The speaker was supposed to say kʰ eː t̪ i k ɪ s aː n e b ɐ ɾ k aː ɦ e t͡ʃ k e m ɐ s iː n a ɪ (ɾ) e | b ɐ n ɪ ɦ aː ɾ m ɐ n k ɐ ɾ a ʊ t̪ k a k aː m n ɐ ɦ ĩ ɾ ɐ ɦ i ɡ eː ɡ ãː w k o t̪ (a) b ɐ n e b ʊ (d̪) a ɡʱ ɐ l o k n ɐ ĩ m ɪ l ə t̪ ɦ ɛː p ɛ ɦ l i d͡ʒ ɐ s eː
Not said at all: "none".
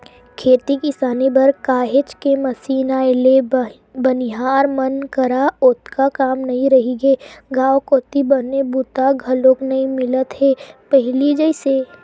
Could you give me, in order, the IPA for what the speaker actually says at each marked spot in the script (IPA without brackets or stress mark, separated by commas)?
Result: l, i, t̪